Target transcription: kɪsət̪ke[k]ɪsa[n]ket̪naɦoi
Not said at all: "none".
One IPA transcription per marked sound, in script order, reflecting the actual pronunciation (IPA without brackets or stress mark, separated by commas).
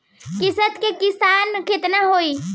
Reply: k, n